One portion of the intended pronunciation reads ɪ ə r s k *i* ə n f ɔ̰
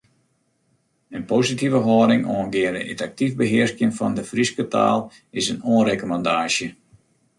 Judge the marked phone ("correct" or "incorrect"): incorrect